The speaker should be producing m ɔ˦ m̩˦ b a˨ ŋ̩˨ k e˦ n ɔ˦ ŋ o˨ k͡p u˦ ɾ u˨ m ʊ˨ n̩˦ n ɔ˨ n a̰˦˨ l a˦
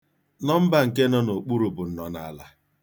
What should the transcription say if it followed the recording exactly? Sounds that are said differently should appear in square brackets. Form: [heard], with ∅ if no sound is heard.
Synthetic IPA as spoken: [n] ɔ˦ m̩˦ b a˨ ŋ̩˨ k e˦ n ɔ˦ [n] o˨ k͡p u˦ ɾ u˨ [b] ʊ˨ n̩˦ n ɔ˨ n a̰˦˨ l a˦